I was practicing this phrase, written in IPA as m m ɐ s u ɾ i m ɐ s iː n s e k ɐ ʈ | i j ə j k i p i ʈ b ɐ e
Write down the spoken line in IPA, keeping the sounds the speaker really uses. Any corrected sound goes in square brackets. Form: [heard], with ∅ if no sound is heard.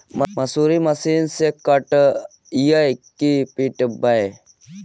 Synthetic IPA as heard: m m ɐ s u ɾ i m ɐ s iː n s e k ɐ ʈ | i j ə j k i p i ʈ b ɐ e